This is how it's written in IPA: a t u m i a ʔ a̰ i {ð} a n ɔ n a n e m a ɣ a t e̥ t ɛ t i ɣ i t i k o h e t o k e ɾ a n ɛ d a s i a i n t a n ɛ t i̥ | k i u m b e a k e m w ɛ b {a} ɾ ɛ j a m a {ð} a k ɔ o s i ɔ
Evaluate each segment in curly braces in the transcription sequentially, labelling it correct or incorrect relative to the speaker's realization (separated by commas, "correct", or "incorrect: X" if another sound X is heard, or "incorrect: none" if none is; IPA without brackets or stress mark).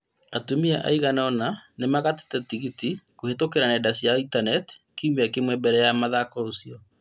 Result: incorrect: ɣ, incorrect: ɛ, correct